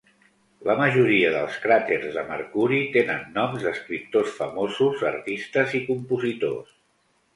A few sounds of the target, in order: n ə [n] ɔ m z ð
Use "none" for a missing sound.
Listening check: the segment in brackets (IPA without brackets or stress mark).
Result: nː